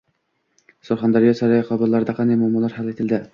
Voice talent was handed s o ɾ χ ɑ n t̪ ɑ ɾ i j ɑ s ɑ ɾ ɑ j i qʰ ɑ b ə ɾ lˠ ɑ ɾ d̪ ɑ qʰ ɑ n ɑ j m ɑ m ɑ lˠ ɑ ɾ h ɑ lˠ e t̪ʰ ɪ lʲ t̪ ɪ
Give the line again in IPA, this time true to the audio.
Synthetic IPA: s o ɾ χ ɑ n d̪ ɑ ɾ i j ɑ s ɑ ɾ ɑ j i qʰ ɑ b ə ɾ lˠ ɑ ɾ d̪ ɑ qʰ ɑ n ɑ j m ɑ m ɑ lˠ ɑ ɾ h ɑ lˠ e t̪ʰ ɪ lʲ d̪ ɪ